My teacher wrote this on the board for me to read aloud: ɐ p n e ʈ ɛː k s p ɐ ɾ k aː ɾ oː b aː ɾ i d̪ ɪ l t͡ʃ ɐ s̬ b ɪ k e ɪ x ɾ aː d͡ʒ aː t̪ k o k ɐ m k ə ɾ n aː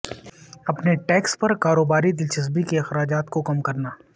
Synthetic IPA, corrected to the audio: ɐ p n e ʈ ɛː k s p ɐ ɾ k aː ɾ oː b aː ɾ i d̪ ɪ l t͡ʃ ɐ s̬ b i k e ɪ x ɾ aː d͡ʒ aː t̪ k o k ɐ m k ɐ ɾ n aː